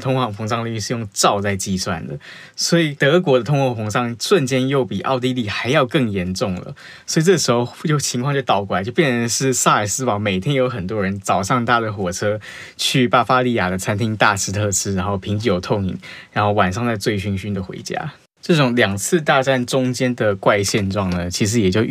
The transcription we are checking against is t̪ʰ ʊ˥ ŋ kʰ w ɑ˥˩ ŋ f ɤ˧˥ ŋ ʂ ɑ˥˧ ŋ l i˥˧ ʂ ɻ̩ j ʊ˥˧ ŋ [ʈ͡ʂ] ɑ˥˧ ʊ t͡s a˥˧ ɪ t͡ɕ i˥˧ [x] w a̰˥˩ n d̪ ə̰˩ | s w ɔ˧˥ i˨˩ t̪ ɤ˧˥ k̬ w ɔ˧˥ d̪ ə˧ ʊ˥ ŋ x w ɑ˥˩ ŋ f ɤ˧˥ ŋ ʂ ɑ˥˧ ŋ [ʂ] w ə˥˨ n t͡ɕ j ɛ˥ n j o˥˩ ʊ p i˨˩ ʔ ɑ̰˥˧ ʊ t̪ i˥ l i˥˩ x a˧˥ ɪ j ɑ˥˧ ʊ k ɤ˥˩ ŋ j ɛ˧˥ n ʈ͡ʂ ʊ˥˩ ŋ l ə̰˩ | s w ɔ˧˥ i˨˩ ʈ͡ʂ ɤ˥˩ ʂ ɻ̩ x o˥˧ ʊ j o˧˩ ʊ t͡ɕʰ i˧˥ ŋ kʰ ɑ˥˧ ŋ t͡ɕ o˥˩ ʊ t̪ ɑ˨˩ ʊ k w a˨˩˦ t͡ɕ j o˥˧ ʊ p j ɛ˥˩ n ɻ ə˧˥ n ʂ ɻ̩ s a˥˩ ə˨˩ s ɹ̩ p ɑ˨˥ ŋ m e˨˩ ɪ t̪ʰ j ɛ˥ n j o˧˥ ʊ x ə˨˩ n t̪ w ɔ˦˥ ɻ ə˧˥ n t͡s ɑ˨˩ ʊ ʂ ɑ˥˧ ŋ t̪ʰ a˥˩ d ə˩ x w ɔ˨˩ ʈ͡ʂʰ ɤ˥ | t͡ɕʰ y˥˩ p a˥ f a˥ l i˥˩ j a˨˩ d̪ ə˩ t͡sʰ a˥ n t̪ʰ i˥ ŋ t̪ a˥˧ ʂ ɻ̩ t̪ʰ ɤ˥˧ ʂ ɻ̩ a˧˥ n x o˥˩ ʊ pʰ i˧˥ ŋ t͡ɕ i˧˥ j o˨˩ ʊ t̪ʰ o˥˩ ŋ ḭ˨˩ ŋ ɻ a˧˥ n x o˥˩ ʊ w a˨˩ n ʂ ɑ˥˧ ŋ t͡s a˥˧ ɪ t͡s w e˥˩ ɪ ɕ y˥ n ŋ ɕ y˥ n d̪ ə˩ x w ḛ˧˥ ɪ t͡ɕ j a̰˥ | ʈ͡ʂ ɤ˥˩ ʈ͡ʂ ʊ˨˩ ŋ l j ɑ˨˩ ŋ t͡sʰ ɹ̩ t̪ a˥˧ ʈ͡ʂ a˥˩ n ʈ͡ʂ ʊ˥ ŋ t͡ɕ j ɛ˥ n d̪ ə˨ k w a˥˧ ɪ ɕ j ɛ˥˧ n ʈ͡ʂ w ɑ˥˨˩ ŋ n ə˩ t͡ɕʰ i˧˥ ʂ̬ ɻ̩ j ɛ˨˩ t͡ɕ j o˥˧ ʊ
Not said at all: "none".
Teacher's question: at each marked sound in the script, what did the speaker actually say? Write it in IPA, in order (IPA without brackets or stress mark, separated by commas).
ʈ͡ʂ, s, ʂ